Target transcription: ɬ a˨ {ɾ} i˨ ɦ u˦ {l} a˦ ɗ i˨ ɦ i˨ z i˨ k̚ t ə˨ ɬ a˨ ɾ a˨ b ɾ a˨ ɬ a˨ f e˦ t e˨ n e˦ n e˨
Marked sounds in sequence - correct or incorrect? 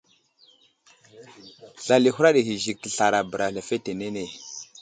incorrect, incorrect

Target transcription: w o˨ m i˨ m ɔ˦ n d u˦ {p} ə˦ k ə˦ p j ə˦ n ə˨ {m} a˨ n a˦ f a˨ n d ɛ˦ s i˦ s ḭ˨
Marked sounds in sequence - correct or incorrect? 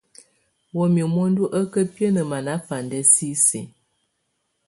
incorrect, correct

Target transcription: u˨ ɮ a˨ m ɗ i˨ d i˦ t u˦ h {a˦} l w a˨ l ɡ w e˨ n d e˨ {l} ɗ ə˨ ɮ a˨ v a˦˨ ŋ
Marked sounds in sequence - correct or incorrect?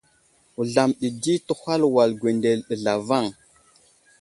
correct, correct

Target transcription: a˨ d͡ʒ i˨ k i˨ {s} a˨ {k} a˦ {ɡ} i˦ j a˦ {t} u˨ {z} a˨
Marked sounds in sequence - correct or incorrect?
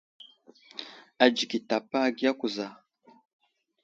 incorrect, incorrect, correct, incorrect, correct

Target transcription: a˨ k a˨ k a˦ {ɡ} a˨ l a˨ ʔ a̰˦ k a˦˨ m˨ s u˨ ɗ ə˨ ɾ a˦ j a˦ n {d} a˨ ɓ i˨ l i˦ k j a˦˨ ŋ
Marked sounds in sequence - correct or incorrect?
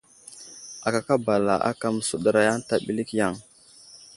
incorrect, incorrect

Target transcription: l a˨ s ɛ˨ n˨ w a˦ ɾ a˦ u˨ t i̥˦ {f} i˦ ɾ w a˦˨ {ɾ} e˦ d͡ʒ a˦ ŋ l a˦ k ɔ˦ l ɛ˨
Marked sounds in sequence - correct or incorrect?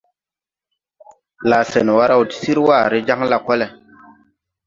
incorrect, correct

